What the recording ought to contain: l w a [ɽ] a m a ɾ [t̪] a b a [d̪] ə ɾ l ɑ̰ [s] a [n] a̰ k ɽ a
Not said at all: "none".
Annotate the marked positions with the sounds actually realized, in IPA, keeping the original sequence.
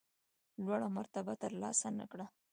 ɽ, t̪, t̪, s, n

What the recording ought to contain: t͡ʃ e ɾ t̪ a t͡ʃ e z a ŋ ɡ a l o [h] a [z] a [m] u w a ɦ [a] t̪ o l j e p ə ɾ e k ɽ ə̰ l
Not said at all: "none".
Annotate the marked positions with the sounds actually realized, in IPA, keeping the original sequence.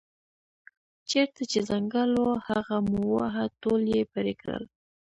h, ɣ, m, a

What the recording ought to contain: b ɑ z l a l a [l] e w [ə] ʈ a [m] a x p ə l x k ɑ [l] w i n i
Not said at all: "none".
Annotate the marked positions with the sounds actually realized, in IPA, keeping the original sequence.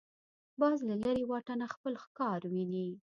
ɾ, ɑ, n, ɾ

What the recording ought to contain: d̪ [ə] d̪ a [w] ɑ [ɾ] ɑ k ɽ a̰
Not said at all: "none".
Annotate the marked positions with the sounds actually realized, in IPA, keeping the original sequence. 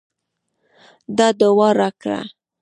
ɑ, w, ɾ

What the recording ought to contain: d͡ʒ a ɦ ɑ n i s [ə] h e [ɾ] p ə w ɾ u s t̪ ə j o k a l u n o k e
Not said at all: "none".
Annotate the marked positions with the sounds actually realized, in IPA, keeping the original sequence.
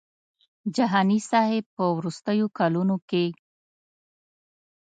ɑ, none

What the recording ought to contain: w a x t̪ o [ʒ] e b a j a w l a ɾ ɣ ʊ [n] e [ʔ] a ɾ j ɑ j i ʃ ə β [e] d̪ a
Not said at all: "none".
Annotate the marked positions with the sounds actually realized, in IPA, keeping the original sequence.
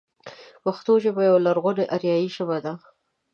ʒ, n, ʔ, a

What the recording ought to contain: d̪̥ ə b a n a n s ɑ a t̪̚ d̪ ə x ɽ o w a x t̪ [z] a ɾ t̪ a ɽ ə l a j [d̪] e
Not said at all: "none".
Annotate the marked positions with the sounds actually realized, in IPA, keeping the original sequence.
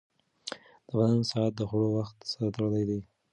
s, d̪

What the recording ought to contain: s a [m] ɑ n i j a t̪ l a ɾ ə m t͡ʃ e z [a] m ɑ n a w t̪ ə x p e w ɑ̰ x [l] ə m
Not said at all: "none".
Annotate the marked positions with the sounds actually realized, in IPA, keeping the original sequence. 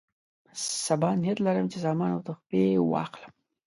b, ɑ, l

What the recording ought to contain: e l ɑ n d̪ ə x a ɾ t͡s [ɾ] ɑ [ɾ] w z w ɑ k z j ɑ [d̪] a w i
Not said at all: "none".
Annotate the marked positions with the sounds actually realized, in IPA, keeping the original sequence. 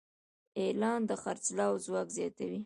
l, none, t̪

